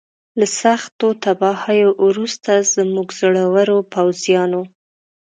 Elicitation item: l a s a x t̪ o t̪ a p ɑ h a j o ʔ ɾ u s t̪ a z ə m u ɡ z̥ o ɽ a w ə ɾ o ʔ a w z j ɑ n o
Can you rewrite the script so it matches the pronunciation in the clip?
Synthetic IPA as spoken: l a s a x t̪ o t̪ a b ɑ h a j o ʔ ɾ u s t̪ a z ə m u ɡ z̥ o ɽ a w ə ɾ o p a w z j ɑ n o